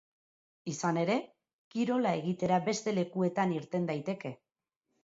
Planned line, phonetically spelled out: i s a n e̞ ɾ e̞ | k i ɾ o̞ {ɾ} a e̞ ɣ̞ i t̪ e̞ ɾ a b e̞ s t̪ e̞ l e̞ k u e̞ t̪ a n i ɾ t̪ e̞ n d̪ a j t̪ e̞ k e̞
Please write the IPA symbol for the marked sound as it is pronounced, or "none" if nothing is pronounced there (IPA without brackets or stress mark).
l